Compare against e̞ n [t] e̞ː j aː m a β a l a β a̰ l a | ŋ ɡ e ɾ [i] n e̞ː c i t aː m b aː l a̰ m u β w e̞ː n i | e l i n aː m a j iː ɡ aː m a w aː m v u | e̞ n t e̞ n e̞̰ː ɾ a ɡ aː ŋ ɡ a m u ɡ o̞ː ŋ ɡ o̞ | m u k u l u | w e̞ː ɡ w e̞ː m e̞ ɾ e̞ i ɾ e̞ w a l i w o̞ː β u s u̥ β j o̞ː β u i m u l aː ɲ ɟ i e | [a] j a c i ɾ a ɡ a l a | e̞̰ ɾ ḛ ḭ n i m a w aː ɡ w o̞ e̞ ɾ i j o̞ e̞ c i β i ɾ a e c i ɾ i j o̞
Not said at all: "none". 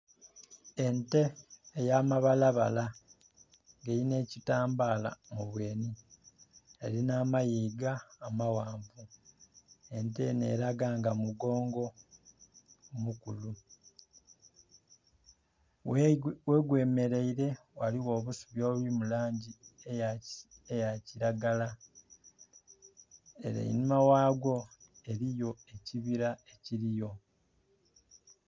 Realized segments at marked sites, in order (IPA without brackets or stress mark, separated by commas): t, i, e